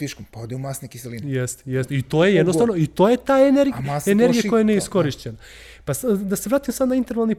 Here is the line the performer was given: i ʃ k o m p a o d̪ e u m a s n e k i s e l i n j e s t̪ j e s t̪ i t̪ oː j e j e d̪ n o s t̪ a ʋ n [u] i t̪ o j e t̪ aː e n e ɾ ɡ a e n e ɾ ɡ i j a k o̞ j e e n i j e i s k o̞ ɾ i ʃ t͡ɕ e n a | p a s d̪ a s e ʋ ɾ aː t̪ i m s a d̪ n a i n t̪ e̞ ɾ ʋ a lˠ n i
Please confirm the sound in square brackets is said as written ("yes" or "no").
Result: no